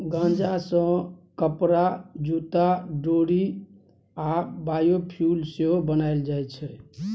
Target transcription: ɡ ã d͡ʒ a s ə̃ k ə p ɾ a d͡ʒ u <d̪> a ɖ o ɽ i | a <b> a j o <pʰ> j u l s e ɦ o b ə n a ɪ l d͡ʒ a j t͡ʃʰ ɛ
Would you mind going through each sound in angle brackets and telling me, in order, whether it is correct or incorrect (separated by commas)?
incorrect, correct, correct